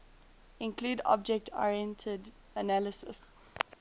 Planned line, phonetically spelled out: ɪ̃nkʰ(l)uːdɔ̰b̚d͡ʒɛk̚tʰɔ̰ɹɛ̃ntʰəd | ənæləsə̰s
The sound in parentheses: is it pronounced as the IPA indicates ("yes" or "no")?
yes